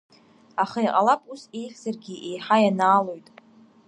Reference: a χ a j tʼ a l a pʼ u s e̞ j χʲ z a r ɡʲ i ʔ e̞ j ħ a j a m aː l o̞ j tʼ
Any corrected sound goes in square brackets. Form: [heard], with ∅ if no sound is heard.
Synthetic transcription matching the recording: a χ a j [qʼ] a l a pʼ u s e̞ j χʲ z a r ɡʲ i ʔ e̞ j ħ a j a [n] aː l o̞ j tʼ